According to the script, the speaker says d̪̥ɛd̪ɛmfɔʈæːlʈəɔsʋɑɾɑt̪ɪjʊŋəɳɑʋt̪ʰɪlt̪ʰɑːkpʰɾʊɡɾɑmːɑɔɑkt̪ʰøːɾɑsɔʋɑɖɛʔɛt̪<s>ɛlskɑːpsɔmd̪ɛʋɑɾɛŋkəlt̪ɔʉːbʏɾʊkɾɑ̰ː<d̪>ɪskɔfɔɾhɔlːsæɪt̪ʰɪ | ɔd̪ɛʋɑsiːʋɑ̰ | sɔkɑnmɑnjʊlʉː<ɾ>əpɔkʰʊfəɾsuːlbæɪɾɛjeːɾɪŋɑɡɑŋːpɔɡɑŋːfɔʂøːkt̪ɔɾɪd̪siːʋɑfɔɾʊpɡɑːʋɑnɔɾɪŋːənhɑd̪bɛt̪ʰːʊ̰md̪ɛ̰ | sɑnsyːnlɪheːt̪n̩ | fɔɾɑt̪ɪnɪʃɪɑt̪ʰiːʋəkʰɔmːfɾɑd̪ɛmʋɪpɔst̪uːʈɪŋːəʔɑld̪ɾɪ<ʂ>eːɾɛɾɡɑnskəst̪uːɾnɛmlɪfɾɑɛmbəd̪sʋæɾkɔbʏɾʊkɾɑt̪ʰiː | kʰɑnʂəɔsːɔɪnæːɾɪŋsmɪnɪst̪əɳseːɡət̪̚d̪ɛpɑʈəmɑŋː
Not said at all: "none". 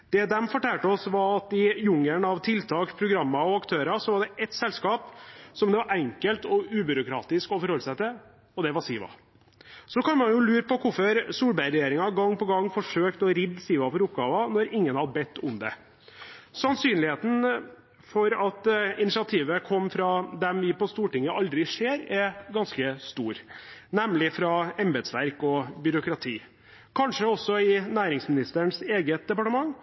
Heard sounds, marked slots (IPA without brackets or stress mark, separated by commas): s, t̪, ɾ, ʂ